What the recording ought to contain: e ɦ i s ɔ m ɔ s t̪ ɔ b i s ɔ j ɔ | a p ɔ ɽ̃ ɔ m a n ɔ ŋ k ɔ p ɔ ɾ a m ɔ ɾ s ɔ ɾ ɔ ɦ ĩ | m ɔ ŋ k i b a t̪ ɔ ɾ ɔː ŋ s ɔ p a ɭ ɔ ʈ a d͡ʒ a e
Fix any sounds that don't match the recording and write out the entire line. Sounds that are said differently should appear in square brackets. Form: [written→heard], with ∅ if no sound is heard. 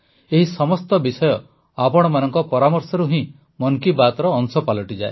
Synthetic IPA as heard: e ɦ i s ɔ m ɔ s t̪ ɔ b i s ɔ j ɔ | a p ɔ ɽ̃ ɔ m a n ɔ ŋ k ɔ p ɔ ɾ a m ɔ ɾ s ɔ ɾ [ɔ→u] ɦ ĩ | m ɔ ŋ k i b a t̪ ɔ ɾ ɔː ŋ s ɔ p a [ɭ→l] ɔ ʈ [a→i] d͡ʒ a e